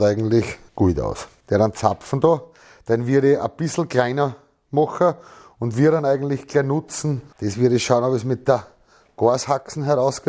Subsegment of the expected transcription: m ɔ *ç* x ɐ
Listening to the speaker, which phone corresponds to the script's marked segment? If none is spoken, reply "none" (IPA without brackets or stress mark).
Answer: none